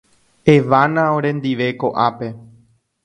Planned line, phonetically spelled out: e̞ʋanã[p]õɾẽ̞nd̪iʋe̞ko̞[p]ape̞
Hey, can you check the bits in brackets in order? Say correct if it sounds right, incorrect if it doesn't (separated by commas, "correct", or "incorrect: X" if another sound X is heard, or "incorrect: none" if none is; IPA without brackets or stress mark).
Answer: incorrect: none, incorrect: ʔ